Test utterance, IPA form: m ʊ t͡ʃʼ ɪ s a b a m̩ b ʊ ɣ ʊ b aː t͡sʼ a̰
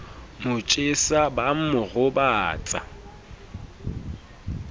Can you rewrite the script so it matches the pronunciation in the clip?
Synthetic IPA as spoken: m ʊ t͡ʃʼ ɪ s a b a m̩ m ʊ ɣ ʊ b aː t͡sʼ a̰